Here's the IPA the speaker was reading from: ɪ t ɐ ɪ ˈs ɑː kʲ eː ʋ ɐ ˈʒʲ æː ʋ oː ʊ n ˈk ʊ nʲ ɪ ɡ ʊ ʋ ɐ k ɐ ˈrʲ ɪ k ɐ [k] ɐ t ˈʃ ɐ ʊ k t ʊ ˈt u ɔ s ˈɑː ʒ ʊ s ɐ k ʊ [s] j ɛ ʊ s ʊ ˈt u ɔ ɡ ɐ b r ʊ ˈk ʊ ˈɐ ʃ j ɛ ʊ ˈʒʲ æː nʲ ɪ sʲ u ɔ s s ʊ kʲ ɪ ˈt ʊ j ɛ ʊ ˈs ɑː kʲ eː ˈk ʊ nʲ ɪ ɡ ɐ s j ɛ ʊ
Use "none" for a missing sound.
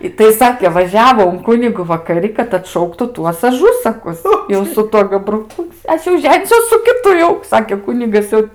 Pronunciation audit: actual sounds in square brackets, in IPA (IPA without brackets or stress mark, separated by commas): t, s